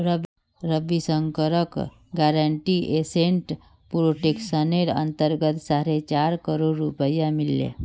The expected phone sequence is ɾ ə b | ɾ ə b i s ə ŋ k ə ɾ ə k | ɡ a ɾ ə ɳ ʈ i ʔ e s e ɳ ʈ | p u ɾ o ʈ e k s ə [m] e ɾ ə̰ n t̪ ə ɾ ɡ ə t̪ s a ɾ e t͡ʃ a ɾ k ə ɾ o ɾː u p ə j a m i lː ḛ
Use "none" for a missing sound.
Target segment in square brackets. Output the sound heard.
n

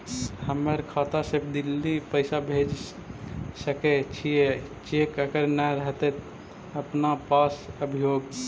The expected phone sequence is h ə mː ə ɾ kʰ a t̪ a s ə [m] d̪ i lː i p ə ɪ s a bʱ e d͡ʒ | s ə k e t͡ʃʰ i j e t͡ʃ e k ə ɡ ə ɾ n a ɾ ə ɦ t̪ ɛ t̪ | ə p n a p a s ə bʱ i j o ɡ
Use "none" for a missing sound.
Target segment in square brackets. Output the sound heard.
b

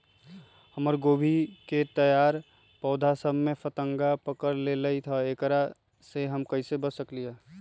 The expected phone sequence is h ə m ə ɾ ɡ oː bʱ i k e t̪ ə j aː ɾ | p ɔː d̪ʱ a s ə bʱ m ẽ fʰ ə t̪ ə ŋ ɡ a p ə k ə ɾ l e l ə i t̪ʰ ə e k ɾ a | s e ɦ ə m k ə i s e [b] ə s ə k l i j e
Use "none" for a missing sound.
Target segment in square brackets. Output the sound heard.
b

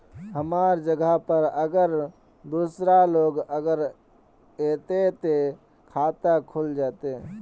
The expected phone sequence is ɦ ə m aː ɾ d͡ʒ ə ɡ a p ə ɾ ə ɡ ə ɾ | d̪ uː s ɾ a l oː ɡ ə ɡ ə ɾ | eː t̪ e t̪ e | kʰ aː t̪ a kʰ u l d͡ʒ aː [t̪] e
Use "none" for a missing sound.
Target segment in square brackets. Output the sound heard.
t̪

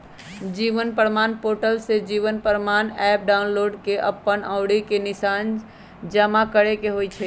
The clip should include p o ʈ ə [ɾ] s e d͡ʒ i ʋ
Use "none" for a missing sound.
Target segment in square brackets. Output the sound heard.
l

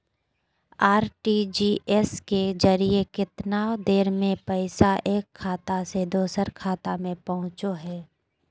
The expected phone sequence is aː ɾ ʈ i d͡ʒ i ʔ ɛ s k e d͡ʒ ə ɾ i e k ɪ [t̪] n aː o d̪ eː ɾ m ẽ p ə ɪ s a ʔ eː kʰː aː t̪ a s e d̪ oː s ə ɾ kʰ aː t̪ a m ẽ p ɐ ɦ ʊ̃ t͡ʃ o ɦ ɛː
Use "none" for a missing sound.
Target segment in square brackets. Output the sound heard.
t̪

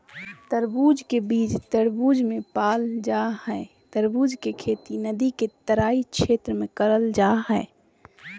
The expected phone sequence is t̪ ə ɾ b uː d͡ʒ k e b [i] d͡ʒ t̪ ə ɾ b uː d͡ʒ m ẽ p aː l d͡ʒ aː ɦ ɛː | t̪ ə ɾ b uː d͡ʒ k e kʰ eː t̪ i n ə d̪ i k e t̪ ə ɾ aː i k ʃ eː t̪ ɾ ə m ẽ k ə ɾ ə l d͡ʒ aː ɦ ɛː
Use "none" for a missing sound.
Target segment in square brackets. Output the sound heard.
iː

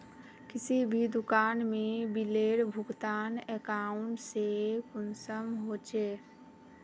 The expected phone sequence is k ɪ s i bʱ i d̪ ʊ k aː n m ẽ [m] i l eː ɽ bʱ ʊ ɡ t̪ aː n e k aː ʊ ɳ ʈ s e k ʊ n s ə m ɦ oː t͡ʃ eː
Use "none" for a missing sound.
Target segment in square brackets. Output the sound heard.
b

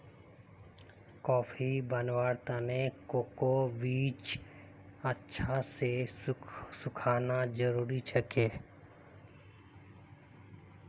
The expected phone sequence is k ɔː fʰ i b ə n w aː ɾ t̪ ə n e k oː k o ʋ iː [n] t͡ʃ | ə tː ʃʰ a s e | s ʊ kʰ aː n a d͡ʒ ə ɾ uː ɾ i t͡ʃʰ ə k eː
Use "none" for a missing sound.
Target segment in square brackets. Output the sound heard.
none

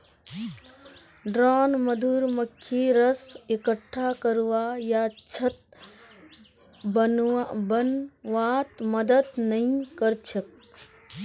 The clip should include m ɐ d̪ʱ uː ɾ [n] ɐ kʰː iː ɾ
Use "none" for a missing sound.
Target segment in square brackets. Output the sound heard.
m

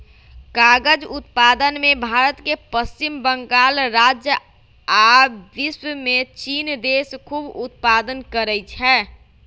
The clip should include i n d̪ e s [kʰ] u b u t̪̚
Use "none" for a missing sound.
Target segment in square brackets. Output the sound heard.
kʰ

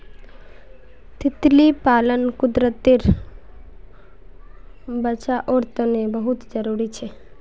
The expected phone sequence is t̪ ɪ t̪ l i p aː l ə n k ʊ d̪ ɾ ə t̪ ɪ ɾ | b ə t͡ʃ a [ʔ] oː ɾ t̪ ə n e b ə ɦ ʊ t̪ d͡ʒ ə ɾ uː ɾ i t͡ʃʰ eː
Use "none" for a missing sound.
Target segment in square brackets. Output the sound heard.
ʔ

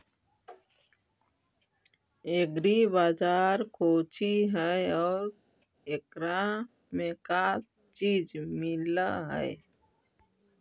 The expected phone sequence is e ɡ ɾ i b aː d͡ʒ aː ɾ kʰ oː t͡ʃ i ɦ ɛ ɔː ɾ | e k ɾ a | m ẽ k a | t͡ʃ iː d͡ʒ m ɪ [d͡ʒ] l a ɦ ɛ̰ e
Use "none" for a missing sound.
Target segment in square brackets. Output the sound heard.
none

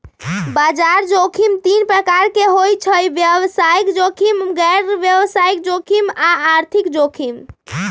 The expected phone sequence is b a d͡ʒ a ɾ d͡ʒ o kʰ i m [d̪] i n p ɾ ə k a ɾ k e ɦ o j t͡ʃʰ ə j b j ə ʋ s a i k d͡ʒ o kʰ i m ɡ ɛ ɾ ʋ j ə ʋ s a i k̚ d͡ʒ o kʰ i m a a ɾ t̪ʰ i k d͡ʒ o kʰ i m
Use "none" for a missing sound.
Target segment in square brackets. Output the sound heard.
t̪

